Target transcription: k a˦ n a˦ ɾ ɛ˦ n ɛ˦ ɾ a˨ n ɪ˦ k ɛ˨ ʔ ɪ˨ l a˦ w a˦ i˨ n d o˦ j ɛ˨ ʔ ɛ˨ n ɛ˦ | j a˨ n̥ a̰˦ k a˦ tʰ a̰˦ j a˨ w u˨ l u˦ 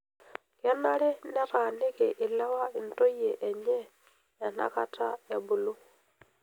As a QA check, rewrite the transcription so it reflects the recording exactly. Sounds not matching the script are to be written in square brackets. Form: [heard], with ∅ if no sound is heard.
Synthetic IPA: k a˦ n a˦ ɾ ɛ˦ n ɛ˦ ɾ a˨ n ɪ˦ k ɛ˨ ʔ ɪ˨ l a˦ w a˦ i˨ n [t] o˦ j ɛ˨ ʔ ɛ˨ [ɲ] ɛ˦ | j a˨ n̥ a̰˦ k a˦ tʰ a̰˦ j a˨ [b] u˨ l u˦

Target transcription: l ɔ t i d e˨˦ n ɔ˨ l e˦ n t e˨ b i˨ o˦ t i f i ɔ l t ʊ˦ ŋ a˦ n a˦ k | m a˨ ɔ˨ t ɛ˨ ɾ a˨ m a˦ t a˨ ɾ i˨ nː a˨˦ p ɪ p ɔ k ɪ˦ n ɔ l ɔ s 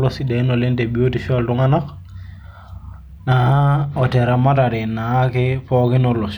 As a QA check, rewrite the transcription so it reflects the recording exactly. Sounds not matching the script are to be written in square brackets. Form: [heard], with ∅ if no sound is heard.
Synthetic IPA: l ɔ [s] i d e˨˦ n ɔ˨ l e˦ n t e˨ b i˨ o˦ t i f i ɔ l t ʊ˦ ŋ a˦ n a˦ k | [n] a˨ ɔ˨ t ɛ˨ ɾ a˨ m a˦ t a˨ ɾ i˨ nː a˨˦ [k] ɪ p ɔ k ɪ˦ n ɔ l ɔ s

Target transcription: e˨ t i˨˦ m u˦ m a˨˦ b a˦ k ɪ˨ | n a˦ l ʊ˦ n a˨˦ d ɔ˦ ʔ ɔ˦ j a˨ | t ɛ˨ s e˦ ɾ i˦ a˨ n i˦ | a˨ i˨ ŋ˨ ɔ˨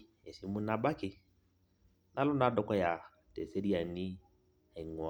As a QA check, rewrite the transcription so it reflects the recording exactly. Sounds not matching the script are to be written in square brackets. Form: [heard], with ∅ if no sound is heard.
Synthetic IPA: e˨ [s] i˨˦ m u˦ [n] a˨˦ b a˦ k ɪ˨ | n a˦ l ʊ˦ n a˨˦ d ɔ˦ [k] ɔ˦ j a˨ | t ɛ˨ s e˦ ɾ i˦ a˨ n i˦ | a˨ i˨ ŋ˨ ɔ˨

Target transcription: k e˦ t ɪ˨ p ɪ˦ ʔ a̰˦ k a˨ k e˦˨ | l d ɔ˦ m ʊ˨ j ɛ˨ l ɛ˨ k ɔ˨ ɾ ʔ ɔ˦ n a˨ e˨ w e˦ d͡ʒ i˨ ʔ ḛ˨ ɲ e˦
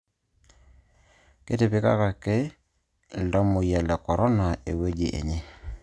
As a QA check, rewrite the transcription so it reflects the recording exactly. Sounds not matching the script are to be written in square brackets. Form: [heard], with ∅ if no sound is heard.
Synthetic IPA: k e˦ t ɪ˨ p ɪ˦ [k] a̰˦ k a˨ k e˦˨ | l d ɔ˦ m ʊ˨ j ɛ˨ l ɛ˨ k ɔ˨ ɾ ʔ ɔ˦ n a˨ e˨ w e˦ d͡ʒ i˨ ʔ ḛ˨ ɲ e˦

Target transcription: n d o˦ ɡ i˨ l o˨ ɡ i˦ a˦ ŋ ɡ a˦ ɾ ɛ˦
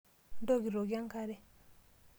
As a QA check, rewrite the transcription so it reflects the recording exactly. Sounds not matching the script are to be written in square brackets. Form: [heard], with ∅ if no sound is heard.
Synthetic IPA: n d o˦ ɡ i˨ [ɾ] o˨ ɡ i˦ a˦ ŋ [k] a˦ ɾ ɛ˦

